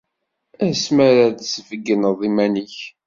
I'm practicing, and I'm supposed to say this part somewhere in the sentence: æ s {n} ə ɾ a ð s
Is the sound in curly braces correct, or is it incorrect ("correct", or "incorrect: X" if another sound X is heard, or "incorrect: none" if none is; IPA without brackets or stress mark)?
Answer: incorrect: m